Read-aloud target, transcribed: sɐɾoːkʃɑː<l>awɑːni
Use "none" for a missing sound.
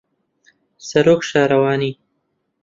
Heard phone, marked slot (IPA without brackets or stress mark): ɾ